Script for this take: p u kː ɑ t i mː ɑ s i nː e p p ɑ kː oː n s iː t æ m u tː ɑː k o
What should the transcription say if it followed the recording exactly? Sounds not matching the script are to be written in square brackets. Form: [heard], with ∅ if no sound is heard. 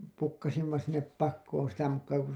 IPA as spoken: p u kː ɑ [s] i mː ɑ s i nː e p p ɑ kː oː n s [i] t æ m u [kː] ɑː k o